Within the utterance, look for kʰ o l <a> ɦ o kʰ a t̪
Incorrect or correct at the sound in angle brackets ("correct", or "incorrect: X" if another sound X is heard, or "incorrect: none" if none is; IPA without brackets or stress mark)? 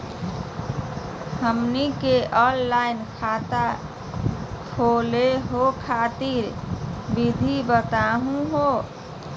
incorrect: e